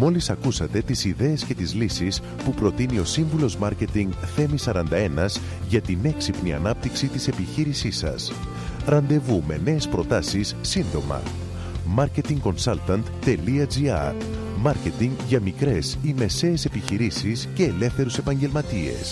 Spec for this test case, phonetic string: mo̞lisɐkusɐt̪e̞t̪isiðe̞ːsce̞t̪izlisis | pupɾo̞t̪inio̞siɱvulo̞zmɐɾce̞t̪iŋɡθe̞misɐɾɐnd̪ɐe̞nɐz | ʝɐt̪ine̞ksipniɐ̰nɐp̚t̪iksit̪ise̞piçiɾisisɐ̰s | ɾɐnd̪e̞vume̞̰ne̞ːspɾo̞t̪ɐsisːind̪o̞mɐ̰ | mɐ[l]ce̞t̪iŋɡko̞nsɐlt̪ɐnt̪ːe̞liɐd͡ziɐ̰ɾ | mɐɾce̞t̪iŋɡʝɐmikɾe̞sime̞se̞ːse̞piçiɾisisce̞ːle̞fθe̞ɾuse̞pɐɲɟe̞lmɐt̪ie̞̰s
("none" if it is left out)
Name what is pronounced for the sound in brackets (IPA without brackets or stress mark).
ɾ